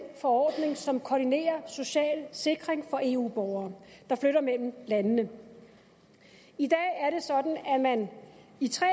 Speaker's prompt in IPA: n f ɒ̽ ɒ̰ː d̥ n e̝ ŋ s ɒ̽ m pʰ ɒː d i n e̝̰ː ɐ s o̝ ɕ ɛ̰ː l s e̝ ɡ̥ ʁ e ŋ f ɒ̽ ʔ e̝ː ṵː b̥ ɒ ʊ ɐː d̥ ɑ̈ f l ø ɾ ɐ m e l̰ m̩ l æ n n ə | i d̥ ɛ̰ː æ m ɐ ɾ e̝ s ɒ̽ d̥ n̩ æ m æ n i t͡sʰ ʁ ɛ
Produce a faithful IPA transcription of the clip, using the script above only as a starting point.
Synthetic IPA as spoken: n f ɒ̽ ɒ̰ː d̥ n e̝ ŋ s ɒ̽ m kʰ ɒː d i n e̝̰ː ɐ s o̝ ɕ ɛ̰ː l s e̝ ɡ̥ ʁ e ŋ f ɒ̽ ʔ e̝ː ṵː b̥ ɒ ʊ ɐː d̥ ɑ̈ f l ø ɾ ɐ m e l̰ m̩ l æ n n ə | i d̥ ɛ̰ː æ ɐ ɾ e̝ s ɒ̽ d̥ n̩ æ m æ n i t͡sʰ ʁ ɛ